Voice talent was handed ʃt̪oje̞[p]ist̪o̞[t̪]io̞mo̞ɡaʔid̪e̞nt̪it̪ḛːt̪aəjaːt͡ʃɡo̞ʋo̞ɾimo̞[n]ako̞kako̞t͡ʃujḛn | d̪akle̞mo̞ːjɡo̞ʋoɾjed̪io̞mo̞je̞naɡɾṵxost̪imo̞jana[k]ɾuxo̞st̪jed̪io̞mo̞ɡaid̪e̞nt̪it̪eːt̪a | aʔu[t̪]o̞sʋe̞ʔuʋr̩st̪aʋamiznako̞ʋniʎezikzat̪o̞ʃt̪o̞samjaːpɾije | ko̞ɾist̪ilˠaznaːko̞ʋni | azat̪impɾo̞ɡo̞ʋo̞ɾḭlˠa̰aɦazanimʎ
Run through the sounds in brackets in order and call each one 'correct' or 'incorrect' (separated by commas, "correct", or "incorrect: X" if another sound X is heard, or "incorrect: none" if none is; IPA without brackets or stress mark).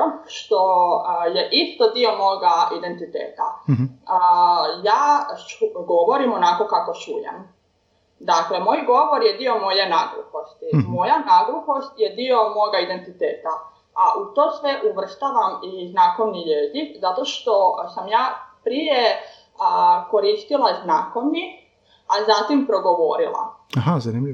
incorrect: ʔ, incorrect: d̪, correct, incorrect: ɡ, correct